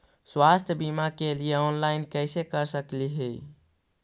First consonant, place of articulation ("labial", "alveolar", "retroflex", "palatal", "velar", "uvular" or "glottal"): alveolar